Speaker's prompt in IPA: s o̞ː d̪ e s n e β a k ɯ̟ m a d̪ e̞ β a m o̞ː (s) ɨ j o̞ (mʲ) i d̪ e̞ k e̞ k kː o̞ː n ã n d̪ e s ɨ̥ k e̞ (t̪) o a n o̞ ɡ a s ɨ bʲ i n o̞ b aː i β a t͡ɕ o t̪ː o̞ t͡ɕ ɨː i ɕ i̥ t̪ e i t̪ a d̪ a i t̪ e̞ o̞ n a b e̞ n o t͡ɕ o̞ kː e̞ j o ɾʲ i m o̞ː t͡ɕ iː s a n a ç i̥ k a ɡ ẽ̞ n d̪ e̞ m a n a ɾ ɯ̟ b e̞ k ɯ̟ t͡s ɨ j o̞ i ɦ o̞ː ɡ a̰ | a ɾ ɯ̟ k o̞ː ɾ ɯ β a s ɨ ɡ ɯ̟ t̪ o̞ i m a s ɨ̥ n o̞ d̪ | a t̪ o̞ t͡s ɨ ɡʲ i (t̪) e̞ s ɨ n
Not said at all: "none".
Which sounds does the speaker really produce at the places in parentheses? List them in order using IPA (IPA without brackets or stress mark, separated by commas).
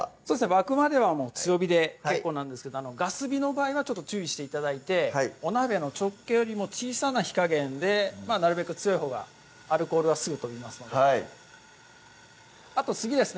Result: t͡s, bʲ, d̪, d̪